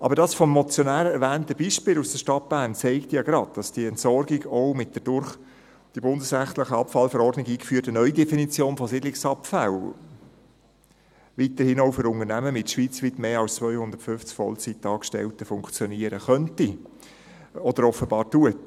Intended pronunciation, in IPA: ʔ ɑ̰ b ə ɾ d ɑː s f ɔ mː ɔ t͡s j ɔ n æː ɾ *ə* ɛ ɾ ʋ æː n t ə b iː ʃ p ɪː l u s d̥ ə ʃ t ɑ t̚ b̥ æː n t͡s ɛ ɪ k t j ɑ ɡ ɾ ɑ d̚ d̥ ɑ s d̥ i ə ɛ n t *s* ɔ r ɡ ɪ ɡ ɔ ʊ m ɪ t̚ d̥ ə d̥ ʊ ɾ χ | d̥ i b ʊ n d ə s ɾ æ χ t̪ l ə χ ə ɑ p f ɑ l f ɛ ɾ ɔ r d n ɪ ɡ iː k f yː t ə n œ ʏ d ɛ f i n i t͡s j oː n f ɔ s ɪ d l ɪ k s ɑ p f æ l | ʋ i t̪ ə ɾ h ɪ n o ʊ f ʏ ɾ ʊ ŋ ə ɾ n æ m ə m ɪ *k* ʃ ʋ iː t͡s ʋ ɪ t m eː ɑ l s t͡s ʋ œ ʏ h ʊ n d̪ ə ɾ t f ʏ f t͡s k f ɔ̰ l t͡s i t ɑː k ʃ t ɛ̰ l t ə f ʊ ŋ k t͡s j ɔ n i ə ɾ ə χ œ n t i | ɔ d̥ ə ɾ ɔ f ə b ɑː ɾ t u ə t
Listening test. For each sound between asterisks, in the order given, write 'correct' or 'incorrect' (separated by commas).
correct, correct, incorrect